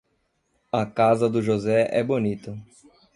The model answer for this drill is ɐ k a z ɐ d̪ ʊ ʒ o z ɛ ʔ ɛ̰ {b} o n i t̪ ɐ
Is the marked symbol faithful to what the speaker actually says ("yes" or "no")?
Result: yes